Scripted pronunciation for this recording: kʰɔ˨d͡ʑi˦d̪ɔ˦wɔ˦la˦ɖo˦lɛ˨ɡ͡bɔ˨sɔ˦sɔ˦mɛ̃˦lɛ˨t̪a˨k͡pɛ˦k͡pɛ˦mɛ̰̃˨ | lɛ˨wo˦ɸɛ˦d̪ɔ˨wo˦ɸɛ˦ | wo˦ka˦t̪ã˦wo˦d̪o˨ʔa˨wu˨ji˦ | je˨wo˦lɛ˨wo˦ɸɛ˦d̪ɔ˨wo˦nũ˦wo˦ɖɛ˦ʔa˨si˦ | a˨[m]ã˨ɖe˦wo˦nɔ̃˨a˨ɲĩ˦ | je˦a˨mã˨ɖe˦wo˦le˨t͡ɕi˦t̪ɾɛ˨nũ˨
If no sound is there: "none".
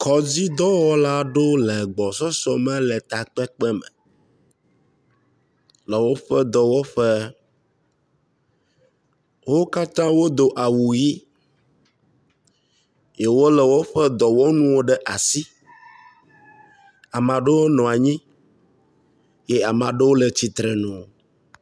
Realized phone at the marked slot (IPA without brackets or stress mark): m